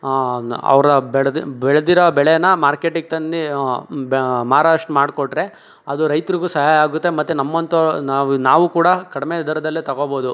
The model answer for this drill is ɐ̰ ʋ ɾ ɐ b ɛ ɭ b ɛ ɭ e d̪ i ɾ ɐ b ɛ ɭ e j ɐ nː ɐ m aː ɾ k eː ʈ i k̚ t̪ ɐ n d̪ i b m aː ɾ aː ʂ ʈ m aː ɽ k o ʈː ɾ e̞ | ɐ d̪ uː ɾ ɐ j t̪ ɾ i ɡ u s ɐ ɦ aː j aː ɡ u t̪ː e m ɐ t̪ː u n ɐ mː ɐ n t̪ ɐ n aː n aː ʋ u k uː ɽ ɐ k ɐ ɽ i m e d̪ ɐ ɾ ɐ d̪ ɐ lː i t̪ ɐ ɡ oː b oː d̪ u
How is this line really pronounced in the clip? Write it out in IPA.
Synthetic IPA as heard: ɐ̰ ʋ ɾ ɐ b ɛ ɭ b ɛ ɭ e d̪ i ɾ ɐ b ɛ ɭ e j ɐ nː ɐ m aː ɾ k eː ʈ i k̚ t̪ ɐ n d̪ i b m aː ɾ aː ʂ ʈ m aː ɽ k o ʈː ɾ e̞ | ɐ d̪ u ɾ ɐ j t̪ ɾ i ɡ u s ɐ ɦ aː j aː ɡ u t̪ː e m ɐ t̪ː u n ɐ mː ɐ n t̪ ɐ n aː n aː ʋ u k uː ɽ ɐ k ɐ ɽ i m e d̪ ɐ ɾ ɐ d̪ ɐ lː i t̪ ɐ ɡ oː b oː d̪ u